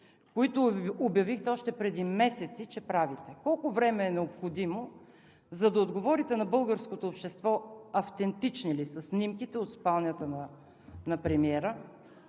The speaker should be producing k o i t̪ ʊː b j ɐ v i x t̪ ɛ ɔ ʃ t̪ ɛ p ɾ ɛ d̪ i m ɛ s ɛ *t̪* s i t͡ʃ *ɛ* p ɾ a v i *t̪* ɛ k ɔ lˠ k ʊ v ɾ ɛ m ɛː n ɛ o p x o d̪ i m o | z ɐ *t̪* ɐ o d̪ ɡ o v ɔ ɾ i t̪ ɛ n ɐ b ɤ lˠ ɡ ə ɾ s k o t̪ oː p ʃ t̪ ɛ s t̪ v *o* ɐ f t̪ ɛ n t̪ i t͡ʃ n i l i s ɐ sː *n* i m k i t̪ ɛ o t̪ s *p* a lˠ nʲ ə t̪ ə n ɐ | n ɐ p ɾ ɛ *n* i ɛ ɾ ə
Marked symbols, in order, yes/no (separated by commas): yes, yes, yes, no, no, yes, yes, no